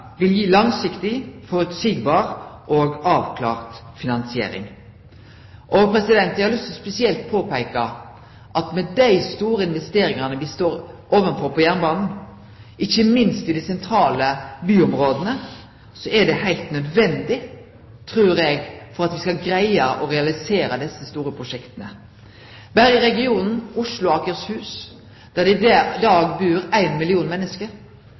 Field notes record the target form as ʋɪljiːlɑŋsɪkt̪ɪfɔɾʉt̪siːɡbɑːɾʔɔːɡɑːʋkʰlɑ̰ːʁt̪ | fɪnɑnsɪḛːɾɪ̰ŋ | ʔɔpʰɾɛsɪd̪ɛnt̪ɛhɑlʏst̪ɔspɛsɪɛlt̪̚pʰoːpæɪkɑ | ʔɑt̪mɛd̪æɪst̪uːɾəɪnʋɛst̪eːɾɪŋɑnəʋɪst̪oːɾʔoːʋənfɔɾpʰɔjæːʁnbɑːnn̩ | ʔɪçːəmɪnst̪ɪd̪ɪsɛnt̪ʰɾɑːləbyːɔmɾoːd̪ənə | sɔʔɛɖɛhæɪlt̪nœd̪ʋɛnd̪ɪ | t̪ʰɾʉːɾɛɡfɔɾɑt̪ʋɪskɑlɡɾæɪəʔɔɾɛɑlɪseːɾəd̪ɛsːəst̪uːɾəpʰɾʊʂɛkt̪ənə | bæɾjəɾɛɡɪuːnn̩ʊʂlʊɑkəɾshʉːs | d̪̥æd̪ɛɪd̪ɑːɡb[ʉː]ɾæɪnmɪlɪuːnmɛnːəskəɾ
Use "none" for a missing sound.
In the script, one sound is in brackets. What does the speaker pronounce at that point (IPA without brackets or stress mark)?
ʉː